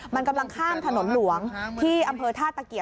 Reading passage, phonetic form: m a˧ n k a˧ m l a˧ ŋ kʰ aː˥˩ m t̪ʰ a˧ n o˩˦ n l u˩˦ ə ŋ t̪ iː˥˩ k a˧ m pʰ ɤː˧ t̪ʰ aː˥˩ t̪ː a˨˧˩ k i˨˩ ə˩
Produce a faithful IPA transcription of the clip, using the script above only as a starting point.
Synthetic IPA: m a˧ n k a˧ m l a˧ ŋ kʰ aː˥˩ m t̪ʰ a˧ n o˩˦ n l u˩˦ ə ŋ t̪ʰ iː˥˩ ʔ a˧ m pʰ ɤː˧ t̪ʰ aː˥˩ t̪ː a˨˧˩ k i˨˩ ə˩

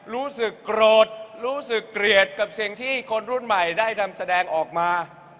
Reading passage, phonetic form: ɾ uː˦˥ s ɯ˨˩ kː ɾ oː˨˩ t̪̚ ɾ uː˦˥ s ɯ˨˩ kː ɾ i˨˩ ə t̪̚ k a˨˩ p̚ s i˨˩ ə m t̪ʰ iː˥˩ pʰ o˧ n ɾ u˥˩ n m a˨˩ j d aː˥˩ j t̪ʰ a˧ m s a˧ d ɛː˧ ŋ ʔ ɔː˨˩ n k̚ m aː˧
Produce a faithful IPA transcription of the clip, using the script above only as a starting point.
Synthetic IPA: ɾ uː˦˥ s ɯ˨˩ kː ɾ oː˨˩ t̪̚ ɾ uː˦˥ s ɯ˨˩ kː ɾ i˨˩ ə t̪̚ k a˨˩ p̚ s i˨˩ ə ŋ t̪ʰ iː˥˩ kʰ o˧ n ɾ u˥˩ n m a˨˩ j d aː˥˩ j t̪ʰ a˧ m s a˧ d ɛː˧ ŋ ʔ ɔː˨˩ k̚ m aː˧

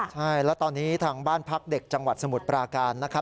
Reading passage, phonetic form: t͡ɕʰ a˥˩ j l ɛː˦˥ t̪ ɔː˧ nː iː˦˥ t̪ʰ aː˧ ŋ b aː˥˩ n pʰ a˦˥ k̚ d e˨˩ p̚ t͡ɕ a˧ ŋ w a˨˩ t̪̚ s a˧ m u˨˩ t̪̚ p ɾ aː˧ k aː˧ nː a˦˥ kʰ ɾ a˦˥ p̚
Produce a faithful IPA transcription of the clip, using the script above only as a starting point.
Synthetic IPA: t͡ɕʰ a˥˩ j l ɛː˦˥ t̪ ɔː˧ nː iː˦˥ t̪ʰ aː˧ ŋ b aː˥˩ n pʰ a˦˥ k̚ d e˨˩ k̚ t͡ɕ a˧ ŋ w a˨˩ t̪̚ s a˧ m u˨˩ t̪̚ p ɾ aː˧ k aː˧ nː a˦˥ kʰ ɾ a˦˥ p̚

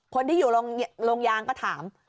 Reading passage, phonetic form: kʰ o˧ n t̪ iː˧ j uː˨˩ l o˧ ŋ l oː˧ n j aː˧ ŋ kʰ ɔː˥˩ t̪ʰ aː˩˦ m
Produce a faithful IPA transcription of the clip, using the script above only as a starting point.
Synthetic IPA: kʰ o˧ n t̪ iː˥˩ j uː˨˩ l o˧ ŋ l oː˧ ŋ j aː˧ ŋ k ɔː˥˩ t̪ʰ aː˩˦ m

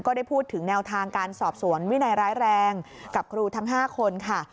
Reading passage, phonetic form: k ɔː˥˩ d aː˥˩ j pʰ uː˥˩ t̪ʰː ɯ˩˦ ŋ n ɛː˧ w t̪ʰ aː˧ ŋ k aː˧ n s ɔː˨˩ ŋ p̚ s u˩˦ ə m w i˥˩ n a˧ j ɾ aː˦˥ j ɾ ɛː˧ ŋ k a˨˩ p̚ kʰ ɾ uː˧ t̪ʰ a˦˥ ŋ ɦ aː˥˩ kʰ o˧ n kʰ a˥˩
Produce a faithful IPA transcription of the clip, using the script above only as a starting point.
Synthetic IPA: k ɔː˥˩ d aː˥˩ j pʰ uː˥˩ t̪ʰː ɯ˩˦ ŋ n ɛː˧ w t̪ʰ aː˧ ŋ k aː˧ n s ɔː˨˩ p̚ s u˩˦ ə n w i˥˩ n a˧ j ɾ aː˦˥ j ɾ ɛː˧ ŋ k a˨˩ p̚ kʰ ɾ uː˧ t̪ʰ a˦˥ ŋ ɦ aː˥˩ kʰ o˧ n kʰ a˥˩

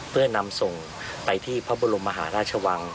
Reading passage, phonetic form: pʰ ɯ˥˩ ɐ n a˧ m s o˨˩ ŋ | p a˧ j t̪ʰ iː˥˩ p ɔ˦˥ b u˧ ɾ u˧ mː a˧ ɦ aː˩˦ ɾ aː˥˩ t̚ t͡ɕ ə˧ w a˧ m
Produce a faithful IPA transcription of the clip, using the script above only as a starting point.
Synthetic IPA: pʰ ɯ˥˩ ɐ n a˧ m s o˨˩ ŋ | p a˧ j t̪ʰ iː˥˩ pʰ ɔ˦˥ b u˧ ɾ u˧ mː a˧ ɦ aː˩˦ ɾ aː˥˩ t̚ t͡ɕʰ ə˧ w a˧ ŋ

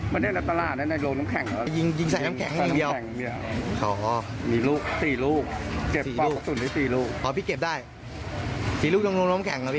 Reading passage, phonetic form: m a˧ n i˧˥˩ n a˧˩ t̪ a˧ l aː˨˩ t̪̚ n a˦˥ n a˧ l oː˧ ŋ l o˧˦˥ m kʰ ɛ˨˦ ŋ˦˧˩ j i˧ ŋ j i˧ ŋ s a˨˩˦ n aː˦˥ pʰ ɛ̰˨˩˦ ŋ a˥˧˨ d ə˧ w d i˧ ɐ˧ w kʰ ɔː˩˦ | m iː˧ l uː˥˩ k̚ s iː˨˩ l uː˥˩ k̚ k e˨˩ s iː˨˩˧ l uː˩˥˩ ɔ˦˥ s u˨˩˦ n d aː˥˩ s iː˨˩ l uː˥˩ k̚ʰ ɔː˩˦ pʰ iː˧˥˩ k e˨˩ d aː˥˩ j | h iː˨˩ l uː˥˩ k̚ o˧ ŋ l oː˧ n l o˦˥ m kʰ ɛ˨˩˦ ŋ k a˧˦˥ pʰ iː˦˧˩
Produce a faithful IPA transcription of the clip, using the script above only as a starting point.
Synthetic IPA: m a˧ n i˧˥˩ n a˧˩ t̪ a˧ l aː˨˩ t̪̚ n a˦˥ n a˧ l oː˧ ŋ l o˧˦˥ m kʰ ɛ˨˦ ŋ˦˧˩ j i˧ ŋ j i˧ ŋ s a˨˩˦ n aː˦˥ kʰ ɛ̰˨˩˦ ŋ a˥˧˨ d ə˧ w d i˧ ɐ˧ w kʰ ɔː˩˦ | m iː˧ l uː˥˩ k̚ s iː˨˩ l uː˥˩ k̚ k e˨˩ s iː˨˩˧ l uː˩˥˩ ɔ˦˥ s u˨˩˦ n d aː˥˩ s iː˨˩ l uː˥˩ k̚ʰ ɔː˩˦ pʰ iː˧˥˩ k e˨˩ d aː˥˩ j | s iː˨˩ l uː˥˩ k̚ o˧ ŋ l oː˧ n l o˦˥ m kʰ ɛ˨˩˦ ŋ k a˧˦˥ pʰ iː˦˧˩

